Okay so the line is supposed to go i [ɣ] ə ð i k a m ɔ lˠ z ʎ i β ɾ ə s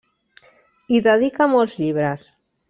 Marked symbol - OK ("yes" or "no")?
no